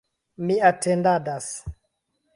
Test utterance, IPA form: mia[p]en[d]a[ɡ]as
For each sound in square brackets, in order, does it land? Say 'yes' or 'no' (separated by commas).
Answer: no, yes, no